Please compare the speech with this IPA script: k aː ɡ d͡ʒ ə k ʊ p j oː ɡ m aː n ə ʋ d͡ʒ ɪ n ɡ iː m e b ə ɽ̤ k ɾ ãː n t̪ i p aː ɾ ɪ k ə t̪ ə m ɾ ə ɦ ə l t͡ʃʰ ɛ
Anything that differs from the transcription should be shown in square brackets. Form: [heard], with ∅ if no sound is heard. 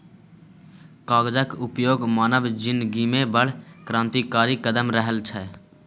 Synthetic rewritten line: k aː ɡ d͡ʒ ə k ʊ p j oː ɡ m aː n ə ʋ d͡ʒ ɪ n ɡ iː m e b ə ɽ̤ k ɾ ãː n t̪ i [k] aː ɾ [i] k ə [d̪] ə m ɾ ə ɦ ə l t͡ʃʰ ɛ

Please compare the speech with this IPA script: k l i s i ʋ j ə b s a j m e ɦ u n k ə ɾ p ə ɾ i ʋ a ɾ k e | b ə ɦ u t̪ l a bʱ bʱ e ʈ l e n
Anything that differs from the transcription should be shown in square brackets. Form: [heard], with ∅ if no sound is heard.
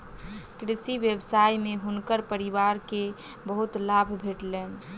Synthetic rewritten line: k [ɾ] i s i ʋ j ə b s a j m e ɦ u n k ə ɾ p ə ɾ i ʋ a ɾ k e | b ə ɦ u t̪ l a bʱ bʱ e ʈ l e n

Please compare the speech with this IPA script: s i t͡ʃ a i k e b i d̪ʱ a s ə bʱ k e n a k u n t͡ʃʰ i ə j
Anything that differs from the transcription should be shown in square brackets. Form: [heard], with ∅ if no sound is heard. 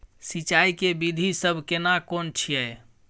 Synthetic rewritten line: s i t͡ʃ a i k e b i d̪ʱ [i] s ə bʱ k e n a k [o] n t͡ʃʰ i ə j

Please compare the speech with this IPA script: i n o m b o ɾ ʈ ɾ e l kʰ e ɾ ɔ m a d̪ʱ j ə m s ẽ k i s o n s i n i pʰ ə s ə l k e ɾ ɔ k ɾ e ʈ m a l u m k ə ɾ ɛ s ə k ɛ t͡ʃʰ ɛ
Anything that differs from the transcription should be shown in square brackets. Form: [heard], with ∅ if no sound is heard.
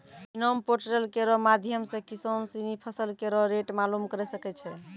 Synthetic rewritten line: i n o m [p] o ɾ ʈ ɾ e l [k] e ɾ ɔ m a d̪ʱ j ə m s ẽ k i s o n s i n i pʰ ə s ə l k e ɾ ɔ [∅] ɾ e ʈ m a l u m k ə ɾ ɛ s ə k ɛ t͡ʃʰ ɛ

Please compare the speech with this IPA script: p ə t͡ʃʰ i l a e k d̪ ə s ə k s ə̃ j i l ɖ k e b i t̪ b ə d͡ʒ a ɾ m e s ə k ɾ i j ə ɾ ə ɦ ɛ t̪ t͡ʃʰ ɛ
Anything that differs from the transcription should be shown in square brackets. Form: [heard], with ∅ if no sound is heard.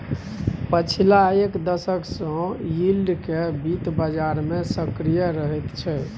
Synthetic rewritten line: p ə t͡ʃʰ i l a e k d̪ ə s ə k s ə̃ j i l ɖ k e b i t̪ b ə d͡ʒ a ɾ m e s ə k ɾ i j ə ɾ ə ɦ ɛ t̪ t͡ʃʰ ɛ

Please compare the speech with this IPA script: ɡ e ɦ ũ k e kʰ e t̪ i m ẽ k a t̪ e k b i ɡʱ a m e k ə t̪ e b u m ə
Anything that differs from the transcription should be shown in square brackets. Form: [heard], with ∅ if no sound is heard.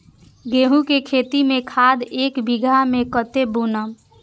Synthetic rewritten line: ɡ e ɦ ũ k e kʰ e t̪ i m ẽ [kʰ] a [d̪] e k b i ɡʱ a m e k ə t̪ e b u [n] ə

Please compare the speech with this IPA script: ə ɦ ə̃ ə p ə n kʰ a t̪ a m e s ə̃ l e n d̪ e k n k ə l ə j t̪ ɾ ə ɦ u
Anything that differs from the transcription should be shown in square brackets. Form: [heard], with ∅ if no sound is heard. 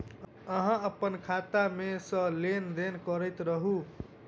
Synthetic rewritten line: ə ɦ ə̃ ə p ə n kʰ a t̪ a m e s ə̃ l e n d̪ e [∅] n k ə [ɾ] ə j t̪ ɾ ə ɦ u

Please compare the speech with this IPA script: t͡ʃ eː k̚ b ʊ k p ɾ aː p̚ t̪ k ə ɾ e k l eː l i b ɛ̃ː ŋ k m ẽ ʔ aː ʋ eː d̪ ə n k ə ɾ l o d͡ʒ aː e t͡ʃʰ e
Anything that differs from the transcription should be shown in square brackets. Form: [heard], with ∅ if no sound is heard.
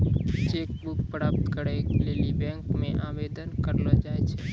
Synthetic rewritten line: t͡ʃ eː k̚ b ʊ k p ɾ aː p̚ t̪ k ə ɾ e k l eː l i b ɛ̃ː ŋ k m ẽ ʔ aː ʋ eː d̪ ə n k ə ɾ l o d͡ʒ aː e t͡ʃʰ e

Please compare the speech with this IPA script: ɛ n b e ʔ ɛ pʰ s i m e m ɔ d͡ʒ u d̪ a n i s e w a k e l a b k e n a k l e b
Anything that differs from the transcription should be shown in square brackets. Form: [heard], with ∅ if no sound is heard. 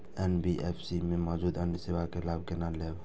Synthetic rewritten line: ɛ n b [i] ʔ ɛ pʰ s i m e m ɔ d͡ʒ u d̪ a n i s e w a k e l a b k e n a [∅] l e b

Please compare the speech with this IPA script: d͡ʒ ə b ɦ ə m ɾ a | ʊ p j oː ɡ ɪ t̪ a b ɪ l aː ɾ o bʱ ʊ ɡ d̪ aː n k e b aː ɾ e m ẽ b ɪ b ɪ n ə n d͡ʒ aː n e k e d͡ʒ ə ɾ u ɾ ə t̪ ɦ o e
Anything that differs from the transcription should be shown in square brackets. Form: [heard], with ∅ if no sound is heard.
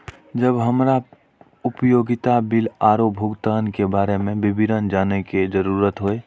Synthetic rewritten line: d͡ʒ ə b ɦ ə m ɾ a | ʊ p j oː ɡ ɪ t̪ a b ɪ l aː ɾ o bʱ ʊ ɡ [t̪] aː n k e b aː ɾ e m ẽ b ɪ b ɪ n ə n d͡ʒ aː n e k e d͡ʒ ə ɾ u ɾ ə t̪ ɦ o e

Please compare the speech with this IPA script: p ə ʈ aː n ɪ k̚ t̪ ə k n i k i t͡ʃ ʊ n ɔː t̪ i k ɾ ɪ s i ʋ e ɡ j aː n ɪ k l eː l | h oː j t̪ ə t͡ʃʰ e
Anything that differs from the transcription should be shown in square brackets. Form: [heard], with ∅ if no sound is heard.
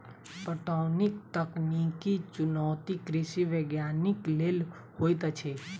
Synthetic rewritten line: p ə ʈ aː n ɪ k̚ t̪ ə k n i k i t͡ʃ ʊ n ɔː t̪ i k ɾ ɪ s i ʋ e ɡ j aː n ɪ k l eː l | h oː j t̪ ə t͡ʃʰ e

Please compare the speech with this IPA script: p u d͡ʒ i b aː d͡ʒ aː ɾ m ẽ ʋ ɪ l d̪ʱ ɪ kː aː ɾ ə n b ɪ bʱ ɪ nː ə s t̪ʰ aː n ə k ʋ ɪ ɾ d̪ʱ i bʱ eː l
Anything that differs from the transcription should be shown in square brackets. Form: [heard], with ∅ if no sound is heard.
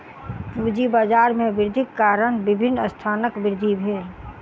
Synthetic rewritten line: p u d͡ʒ i b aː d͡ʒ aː ɾ m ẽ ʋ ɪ [ɾ] d̪ʱ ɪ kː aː ɾ ə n b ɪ bʱ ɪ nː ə s t̪ʰ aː n ə k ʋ ɪ ɾ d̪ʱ i bʱ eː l

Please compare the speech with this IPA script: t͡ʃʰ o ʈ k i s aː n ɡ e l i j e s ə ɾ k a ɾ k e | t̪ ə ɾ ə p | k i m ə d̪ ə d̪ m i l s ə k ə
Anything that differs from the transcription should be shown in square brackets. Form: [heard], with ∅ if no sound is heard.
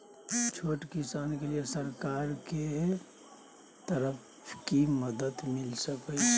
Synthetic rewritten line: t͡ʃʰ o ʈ k i s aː n [k] e l i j e s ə ɾ k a ɾ k e | t̪ ə ɾ ə p | k i m ə d̪ ə d̪ m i l s ə k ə

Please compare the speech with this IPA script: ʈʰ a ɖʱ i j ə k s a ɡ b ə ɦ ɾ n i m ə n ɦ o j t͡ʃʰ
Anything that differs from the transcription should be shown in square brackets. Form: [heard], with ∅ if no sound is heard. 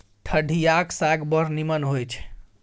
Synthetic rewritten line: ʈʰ [ə] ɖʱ i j [a] k s a ɡ b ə [∅] ɾ n i m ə n ɦ o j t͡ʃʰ

